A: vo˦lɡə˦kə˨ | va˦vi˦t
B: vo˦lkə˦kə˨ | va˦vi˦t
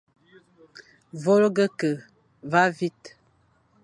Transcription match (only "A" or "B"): A